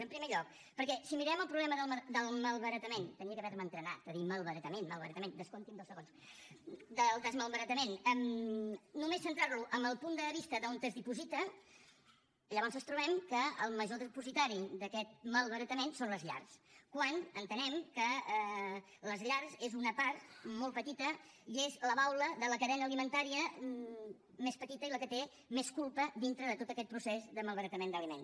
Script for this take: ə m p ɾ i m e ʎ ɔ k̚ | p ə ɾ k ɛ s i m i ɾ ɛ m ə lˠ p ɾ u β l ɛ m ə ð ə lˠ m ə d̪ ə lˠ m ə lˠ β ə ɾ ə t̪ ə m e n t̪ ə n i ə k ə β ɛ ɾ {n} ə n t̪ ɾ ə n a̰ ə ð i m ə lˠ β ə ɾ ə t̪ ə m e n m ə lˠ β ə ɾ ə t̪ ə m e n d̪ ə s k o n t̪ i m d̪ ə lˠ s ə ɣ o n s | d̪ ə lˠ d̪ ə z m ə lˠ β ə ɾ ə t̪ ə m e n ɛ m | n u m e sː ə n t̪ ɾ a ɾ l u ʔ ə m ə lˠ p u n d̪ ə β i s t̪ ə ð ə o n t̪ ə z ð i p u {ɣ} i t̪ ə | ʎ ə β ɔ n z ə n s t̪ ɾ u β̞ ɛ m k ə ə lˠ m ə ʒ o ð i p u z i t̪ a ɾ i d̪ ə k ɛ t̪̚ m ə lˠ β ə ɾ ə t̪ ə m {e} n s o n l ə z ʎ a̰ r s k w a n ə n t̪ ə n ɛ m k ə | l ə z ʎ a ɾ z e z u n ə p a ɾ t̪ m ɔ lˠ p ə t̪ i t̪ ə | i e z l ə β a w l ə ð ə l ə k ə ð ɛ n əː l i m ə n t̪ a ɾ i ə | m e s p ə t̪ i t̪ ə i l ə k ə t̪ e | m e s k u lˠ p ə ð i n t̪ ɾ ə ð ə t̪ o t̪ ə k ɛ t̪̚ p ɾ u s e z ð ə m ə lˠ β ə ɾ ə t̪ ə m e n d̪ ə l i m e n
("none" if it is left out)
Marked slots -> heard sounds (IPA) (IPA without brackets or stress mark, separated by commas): m, z, e